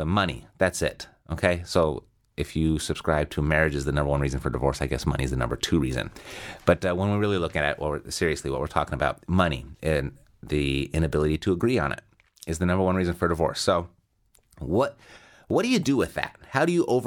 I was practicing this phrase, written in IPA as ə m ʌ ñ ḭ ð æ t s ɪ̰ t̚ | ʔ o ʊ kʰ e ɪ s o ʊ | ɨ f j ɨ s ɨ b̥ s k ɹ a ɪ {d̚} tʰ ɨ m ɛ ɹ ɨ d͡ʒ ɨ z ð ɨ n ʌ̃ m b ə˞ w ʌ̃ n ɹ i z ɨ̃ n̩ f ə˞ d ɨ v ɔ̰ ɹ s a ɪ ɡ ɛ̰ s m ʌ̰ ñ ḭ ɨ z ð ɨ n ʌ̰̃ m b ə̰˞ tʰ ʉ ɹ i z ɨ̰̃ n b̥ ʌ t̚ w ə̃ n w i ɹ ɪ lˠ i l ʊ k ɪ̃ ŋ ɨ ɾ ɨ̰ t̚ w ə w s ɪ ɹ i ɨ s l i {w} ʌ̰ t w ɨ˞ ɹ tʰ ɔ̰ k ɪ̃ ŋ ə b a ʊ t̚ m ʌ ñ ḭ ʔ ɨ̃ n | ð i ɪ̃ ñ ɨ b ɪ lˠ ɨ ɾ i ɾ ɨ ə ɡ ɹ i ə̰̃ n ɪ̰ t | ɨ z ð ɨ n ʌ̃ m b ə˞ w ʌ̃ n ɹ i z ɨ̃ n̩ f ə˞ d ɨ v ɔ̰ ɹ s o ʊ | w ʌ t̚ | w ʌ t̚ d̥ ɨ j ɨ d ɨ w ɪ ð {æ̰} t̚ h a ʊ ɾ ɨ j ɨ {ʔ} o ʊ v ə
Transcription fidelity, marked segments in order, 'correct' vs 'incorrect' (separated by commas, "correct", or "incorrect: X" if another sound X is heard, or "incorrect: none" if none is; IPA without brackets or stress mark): incorrect: b̚, correct, correct, correct